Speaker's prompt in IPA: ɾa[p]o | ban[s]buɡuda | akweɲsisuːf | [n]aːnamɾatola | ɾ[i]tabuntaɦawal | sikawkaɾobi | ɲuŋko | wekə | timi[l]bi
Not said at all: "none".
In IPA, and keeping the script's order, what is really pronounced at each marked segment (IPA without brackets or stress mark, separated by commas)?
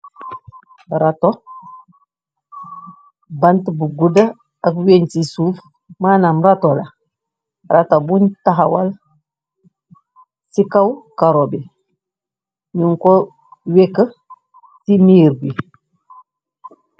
t, t, m, a, ɾ